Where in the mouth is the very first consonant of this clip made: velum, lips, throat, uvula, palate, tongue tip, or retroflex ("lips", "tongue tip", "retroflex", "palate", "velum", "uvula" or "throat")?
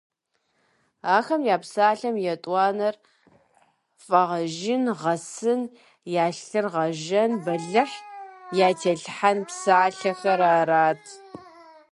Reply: velum